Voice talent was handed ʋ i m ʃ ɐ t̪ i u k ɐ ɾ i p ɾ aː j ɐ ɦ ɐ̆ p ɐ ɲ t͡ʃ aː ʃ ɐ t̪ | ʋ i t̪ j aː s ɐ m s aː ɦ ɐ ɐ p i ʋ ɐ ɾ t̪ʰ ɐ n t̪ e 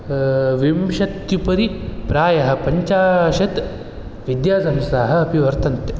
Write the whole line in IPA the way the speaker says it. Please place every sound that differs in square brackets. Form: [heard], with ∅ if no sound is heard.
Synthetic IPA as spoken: ʋ i m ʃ ɐ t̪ [j] u [p] ɐ ɾ i p ɾ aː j ɐ ɦ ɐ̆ p ɐ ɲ t͡ʃ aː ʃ ɐ t̪ | ʋ i [d̪] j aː s ɐ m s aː ɦ ɐ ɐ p i ʋ ɐ ɾ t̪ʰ ɐ n t̪ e

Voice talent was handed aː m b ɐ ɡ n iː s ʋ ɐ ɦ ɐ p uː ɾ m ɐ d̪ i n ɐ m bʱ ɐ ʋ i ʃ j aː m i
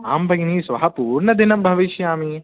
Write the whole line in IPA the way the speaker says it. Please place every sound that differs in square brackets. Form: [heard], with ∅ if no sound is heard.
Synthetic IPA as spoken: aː m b ɐ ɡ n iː s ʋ ɐ ɦ ɐ p uː ɾ [ɳ] ɐ d̪ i n ɐ m bʱ ɐ ʋ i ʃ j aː m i

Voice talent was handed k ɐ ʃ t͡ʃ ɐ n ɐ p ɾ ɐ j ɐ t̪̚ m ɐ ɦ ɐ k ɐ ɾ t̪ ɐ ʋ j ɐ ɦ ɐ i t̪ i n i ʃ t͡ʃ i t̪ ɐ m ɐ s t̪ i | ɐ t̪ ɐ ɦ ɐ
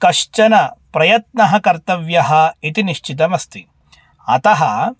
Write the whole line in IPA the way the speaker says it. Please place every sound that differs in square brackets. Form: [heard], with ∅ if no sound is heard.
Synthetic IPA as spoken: k ɐ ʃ t͡ʃ ɐ n ɐ p ɾ ɐ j ɐ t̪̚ [n] ɐ ɦ ɐ k ɐ ɾ t̪ ɐ ʋ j ɐ ɦ ɐ i t̪ i n i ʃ t͡ʃ i t̪ ɐ m ɐ s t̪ i | ɐ t̪ ɐ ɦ ɐ

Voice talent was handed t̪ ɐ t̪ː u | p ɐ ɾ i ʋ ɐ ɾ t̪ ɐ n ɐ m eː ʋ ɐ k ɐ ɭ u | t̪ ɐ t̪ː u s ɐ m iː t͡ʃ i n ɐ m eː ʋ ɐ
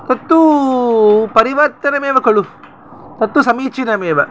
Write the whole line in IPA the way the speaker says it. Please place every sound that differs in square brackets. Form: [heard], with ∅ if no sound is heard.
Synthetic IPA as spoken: t̪ ɐ t̪ː u | p ɐ ɾ i ʋ ɐ ɾ t̪ ɐ n ɐ m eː ʋ ɐ k ɐ ɭ u | t̪ ɐ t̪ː u s ɐ m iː t͡ʃ i n ɐ m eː ʋ ɐ

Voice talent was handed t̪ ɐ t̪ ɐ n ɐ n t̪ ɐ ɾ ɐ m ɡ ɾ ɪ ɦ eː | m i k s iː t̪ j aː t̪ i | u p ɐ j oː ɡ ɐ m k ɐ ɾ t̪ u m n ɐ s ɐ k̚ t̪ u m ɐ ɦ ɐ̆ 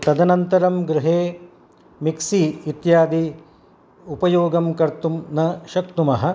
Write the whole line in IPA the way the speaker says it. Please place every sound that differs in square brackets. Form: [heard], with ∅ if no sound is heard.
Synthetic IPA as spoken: t̪ ɐ [d̪] ɐ n ɐ n t̪ ɐ ɾ ɐ m ɡ ɾ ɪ ɦ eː | m i k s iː t̪ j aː [d̪] i | u p ɐ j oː ɡ ɐ m k ɐ ɾ t̪ u m n ɐ [ʃ] ɐ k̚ t̪ u m ɐ ɦ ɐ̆

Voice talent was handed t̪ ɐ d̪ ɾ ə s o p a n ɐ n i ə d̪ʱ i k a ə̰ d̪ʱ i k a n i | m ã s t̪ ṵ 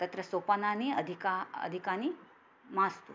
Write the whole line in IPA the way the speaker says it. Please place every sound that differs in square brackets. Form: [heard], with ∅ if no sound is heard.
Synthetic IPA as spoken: t̪ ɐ [t̪] ɾ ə s o p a n [a] n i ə d̪ʱ i k a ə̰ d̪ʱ i k a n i | m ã s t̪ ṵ

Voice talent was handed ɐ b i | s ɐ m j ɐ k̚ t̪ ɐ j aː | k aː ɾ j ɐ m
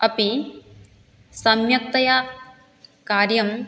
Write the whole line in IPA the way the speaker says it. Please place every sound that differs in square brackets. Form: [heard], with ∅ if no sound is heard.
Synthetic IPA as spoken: ɐ [p] i | s ɐ m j ɐ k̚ t̪ ɐ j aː | k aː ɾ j ɐ m

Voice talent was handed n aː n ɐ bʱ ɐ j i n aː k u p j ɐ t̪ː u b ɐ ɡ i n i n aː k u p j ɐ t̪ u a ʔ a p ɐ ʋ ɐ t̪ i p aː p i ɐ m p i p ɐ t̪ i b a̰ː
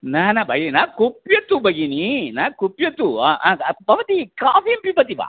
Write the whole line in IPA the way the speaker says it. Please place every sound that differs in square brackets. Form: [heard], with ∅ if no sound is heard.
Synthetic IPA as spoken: n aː n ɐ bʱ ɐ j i n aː k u p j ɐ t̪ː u b ɐ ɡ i n i n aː k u p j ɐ t̪ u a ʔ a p ɐ ʋ ɐ t̪ i [k] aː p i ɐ m p i p ɐ t̪ i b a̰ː

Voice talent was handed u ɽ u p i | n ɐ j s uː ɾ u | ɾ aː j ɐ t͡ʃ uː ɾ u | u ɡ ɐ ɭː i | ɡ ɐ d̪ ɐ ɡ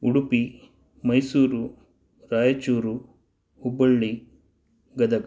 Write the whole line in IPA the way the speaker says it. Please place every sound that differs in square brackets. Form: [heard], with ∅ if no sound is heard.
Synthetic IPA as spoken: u ɽ u p i | [m] ɐ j s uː ɾ u | ɾ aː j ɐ t͡ʃ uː ɾ u | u [b] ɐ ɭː i | ɡ ɐ d̪ ɐ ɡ

